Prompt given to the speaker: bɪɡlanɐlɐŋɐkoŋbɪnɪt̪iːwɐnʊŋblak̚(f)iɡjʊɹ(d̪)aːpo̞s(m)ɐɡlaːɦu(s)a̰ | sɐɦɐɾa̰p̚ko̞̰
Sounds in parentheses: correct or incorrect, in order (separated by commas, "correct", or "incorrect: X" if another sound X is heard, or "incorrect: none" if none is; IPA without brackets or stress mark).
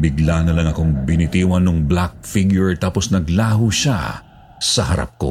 correct, incorrect: t̪, incorrect: n, incorrect: ʃ